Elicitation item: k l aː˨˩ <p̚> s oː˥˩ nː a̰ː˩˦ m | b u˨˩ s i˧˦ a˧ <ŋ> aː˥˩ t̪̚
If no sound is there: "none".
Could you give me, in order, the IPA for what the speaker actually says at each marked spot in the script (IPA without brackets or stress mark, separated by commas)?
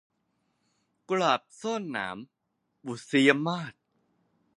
p̚, m